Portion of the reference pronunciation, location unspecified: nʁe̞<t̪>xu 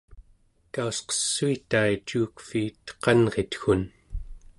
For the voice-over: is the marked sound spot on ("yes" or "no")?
yes